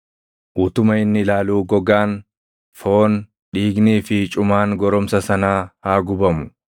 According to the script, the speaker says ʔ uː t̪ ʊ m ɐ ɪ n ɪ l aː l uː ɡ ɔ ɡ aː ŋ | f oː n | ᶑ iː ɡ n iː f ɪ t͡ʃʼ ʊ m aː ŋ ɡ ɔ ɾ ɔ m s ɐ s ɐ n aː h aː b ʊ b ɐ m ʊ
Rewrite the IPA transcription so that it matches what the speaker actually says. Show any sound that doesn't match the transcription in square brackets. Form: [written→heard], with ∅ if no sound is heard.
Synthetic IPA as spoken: ʔ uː t̪ ʊ m ɐ ɪ [n→nː] ɪ l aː l uː ɡ ɔ ɡ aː [ŋ→n] | f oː n | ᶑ iː ɡ n iː f ɪ t͡ʃʼ ʊ m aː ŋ ɡ ɔ ɾ ɔ m s ɐ s ɐ n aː h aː [b→ɡ] ʊ b ɐ m ʊ

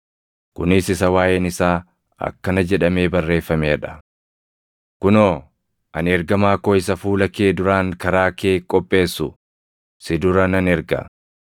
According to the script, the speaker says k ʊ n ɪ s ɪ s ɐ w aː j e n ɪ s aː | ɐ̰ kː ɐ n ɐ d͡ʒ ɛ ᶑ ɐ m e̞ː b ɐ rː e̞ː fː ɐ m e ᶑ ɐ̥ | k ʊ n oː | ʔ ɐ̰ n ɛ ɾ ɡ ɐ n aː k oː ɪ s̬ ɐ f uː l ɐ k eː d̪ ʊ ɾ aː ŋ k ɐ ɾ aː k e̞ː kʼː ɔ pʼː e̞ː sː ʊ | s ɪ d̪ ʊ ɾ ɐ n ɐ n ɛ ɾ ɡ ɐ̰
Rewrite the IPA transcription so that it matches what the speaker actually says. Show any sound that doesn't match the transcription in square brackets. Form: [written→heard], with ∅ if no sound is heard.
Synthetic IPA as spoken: k ʊ n ɪ s ɪ s ɐ w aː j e n ɪ s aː | ɐ̰ kː ɐ n ɐ d͡ʒ ɛ ᶑ ɐ m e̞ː b ɐ rː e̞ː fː ɐ m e ᶑ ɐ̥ | k ʊ n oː | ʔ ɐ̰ n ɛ ɾ ɡ ɐ [n→m] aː k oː ɪ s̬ ɐ f uː l ɐ k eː d̪ ʊ ɾ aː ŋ k ɐ ɾ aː k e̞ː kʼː ɔ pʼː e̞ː sː ʊ | s ɪ d̪ ʊ ɾ ɐ n ɐ n ɛ ɾ ɡ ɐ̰

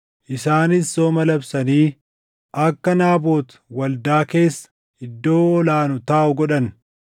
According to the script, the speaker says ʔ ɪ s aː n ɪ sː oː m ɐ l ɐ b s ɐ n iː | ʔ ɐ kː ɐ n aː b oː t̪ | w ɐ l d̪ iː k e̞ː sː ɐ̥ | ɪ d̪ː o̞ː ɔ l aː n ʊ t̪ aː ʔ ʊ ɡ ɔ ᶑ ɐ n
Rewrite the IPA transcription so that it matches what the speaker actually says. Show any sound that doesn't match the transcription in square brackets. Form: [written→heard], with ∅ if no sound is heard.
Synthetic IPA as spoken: ʔ ɪ s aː n ɪ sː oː m ɐ l ɐ b s ɐ n iː | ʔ ɐ kː ɐ n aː b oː t̪ | w ɐ l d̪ [iː→aː] k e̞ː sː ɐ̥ | ɪ d̪ː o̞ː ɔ l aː n ʊ t̪ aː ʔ ʊ ɡ ɔ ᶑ ɐ n

